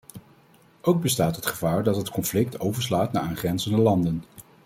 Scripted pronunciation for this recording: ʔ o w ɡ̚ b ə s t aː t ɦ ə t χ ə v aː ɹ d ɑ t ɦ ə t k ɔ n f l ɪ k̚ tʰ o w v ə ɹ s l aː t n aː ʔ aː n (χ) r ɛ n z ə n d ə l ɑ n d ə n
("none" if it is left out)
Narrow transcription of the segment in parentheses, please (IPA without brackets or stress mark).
χ